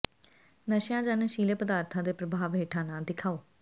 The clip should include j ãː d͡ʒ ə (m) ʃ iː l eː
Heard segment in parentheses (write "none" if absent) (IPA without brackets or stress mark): n